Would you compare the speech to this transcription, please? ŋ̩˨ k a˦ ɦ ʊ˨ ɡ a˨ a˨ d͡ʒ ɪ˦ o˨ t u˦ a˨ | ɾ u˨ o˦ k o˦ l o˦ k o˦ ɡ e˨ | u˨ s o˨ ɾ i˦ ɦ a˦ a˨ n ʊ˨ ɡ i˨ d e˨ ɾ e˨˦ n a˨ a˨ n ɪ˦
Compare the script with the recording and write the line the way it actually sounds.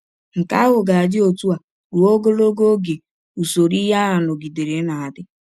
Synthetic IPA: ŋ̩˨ k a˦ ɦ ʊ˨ ɡ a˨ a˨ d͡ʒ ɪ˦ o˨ t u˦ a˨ | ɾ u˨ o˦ ɡ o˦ l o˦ ɡ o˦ ɡ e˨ | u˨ s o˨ ɾ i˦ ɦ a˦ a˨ n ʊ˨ ɡ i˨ d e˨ ɾ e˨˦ n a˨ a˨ d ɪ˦